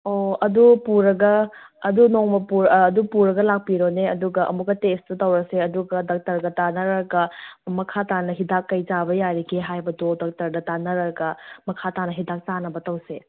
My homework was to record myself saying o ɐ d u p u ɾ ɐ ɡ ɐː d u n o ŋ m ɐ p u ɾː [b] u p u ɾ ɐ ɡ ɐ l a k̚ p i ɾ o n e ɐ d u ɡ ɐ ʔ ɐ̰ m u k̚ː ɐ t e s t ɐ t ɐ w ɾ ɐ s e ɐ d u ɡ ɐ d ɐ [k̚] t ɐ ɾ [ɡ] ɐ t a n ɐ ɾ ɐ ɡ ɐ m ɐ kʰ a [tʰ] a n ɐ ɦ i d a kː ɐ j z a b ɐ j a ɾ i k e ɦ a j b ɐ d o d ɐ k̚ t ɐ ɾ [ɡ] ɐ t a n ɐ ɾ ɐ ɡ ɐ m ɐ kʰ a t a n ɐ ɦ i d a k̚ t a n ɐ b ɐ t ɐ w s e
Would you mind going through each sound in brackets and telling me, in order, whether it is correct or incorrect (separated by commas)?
incorrect, correct, correct, incorrect, incorrect